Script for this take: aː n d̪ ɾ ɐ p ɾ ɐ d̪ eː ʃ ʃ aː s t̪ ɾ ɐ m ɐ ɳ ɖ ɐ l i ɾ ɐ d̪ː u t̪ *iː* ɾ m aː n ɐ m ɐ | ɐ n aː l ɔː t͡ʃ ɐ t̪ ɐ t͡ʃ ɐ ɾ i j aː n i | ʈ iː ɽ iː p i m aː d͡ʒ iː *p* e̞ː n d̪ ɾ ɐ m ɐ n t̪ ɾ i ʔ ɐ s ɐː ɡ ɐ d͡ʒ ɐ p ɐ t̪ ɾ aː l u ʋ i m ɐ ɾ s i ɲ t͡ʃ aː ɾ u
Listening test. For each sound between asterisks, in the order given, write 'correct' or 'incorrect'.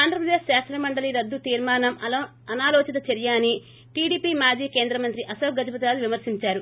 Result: correct, incorrect

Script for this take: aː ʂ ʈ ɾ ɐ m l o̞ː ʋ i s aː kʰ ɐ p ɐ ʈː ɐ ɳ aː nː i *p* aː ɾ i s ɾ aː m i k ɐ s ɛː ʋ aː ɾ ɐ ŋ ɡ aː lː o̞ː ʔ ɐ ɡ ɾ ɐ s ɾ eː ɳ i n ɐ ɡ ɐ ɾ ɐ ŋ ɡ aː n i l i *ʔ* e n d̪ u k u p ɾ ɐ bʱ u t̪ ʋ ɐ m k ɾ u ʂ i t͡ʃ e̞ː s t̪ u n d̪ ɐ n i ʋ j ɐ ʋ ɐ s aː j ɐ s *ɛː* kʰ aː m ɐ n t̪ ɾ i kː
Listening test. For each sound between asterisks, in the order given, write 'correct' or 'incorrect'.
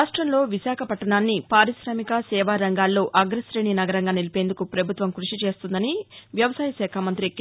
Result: correct, incorrect, correct

